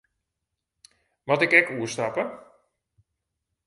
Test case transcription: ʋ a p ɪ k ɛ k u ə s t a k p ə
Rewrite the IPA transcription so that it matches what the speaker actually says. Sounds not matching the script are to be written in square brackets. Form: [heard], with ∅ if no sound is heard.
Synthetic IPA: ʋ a [t] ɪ k ɛ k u ə s t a [∅] p ə